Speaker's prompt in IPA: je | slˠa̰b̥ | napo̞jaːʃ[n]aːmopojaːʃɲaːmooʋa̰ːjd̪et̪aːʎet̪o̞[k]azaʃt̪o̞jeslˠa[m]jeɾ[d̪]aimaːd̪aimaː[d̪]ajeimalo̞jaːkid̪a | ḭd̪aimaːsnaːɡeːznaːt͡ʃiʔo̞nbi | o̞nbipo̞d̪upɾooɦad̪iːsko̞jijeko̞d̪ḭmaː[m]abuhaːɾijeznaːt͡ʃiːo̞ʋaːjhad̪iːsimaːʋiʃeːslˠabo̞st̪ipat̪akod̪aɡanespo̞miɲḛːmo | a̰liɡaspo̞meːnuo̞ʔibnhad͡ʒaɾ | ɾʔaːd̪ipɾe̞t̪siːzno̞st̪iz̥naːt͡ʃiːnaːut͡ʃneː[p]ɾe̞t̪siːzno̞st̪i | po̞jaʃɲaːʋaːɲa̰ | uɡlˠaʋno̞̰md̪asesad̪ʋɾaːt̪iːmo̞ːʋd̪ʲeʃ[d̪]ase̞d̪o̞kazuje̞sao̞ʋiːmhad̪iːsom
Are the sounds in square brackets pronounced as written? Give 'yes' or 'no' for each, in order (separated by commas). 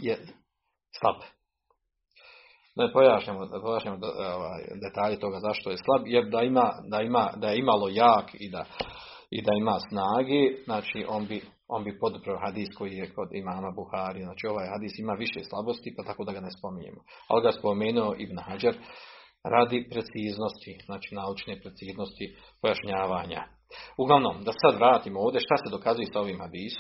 no, no, no, yes, yes, yes, yes, no